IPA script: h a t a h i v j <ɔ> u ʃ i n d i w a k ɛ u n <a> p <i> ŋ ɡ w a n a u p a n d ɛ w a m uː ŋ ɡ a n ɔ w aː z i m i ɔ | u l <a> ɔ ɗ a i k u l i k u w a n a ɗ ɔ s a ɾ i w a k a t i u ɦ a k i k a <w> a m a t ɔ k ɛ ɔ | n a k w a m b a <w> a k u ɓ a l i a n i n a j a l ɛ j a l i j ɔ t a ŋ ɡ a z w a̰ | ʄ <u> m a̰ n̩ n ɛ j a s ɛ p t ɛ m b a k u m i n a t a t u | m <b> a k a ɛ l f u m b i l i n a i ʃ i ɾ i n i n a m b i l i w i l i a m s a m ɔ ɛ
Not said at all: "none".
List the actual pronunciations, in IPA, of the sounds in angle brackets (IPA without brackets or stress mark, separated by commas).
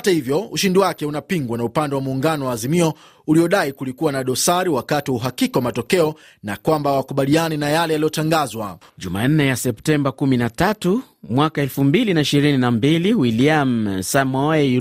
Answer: ɔ, a, i, i, w, w, u, w